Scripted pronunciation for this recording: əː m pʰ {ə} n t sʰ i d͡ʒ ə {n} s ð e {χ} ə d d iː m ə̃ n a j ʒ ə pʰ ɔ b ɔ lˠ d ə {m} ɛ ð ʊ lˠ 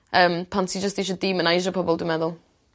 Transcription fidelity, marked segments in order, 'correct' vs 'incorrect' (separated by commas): incorrect, incorrect, incorrect, correct